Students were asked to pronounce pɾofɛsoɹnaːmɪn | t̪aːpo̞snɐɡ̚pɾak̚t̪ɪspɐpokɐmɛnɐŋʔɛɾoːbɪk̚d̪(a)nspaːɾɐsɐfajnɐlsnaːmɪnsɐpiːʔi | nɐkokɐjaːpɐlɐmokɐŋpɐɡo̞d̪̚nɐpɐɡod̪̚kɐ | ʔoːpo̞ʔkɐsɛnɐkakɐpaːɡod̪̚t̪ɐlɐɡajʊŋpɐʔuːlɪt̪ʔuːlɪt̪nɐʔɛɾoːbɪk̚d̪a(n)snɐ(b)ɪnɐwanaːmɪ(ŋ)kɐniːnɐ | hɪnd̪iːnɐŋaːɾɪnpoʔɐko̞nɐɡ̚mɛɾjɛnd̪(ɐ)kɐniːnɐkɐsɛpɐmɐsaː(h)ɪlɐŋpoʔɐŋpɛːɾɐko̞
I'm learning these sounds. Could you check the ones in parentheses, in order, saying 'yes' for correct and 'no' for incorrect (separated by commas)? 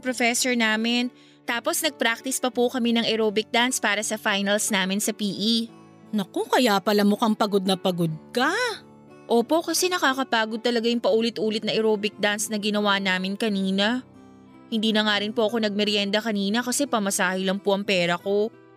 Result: yes, yes, no, no, yes, yes